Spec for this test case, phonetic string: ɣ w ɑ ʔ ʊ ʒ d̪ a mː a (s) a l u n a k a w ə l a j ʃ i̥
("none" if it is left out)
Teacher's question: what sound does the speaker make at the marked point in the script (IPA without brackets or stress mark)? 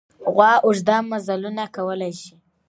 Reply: z